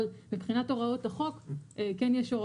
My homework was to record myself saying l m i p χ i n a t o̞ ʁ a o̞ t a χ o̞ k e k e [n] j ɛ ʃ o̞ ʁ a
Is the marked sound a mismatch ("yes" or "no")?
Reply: no